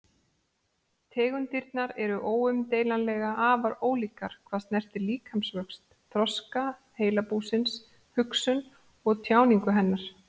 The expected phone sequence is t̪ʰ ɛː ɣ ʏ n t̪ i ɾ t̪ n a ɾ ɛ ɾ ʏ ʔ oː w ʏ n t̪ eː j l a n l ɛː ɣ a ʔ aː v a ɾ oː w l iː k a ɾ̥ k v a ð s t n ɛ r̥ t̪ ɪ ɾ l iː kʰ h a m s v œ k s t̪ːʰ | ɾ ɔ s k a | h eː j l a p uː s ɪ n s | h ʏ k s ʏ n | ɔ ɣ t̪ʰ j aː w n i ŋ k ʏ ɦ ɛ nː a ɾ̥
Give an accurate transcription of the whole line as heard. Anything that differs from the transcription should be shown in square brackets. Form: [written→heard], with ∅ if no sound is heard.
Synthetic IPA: t̪ʰ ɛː ɣ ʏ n t̪ i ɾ t̪ n a ɾ ɛ ɾ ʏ ʔ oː w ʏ [n→m] t̪ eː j l a n l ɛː ɣ a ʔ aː v a ɾ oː w l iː k a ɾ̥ [k→kʰ] v a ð s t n ɛ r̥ t̪ ɪ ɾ l iː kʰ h a m s v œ k s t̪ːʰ | ɾ ɔ s k a | h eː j l a p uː s ɪ n s | h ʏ k s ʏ n | ɔ ɣ t̪ʰ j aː w n i ŋ k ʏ ɦ ɛ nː a ɾ̥